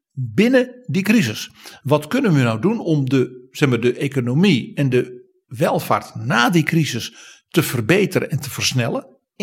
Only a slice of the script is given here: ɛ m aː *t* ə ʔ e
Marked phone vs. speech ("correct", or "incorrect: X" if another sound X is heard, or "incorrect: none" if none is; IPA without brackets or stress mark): incorrect: d